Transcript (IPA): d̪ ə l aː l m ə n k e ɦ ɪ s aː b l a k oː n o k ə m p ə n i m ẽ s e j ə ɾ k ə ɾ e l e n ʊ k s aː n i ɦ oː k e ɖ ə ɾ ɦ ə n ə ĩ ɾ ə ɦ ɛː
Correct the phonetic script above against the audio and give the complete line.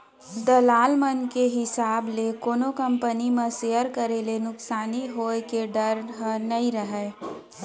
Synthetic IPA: d̪ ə l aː l m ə n k e ɦ ɪ s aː b l e k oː n o k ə m p ə n i m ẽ s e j ə ɾ k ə ɾ e l e n ʊ k s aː n i ɦ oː k e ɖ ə ɾ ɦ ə n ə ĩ ɾ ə ɦ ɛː